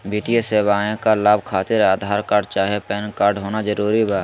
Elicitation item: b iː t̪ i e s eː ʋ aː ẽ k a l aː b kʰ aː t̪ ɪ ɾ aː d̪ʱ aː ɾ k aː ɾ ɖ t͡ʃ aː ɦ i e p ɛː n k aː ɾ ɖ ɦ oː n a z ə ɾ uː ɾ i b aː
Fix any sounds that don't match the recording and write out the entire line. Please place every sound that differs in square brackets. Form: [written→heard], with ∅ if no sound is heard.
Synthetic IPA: b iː t̪ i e s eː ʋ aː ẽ k a l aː b kʰ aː t̪ ɪ ɾ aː d̪ʱ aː ɾ k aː ɾ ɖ t͡ʃ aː ɦ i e p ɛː n k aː ɾ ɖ ɦ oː n a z ə ɾ uː ɾ i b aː